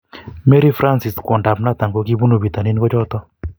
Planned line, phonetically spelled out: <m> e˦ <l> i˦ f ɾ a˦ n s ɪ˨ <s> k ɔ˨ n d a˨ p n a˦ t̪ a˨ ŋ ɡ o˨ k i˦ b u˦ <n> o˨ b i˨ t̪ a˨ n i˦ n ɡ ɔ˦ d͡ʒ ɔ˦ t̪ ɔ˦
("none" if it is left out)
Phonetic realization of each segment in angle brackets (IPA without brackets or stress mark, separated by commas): m, ɾ, s, n